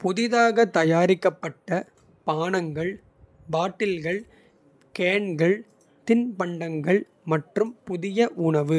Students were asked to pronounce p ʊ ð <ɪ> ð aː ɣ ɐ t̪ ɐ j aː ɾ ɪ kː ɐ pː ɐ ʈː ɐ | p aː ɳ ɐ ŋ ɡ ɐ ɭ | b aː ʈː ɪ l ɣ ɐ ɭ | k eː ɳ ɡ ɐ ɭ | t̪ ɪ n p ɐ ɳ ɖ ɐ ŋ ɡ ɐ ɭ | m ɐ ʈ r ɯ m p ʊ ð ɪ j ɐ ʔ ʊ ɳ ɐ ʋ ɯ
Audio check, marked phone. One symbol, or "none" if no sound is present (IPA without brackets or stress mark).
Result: ɪ